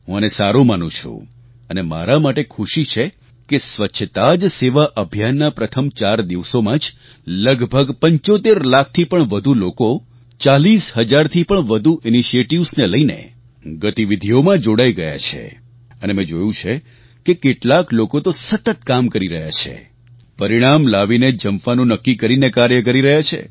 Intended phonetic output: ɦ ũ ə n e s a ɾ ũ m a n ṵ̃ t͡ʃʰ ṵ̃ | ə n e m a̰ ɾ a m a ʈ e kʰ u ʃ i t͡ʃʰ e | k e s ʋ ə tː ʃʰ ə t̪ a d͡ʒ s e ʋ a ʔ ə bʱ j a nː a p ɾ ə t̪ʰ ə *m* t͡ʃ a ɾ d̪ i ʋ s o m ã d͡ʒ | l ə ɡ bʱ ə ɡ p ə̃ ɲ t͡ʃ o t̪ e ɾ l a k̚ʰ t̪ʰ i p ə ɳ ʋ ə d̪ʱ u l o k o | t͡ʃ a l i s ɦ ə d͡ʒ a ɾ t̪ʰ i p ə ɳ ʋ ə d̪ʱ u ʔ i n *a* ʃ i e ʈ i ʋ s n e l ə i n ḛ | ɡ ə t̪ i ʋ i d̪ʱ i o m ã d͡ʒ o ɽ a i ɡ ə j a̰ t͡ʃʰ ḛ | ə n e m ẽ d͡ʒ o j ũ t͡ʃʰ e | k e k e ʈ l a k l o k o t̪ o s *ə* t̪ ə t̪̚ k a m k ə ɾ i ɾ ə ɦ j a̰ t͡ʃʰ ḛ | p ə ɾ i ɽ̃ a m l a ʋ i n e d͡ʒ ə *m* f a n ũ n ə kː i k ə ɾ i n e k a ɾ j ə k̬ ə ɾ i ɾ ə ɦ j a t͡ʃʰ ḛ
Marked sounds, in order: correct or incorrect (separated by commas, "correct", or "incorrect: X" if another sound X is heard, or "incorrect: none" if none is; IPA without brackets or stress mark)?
correct, incorrect: i, correct, correct